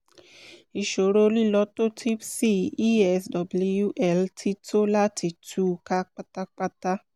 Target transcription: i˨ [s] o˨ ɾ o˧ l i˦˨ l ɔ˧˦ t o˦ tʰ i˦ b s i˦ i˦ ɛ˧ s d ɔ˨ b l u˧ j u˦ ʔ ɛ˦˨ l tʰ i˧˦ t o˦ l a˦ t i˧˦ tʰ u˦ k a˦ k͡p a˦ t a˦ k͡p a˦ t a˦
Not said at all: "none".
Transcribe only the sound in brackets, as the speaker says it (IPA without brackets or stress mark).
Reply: ʃ